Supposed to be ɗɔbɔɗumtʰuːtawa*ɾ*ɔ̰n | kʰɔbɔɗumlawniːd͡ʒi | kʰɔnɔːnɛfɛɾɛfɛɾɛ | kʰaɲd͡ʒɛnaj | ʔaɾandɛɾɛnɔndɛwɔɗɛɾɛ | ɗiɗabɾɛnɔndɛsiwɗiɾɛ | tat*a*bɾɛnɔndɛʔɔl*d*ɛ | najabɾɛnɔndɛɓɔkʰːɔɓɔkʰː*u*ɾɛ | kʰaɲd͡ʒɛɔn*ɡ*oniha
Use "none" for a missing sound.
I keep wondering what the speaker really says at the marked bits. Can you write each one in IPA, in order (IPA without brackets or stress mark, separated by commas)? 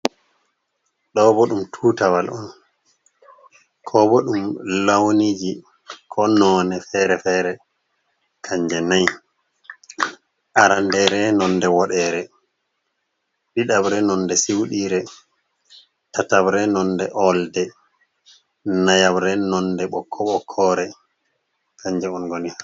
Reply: l, a, d, ɔ, ɡ